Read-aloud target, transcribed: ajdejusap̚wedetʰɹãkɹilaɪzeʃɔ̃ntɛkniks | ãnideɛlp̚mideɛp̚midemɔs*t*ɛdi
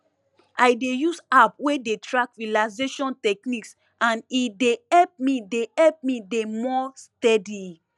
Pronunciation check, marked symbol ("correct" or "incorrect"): correct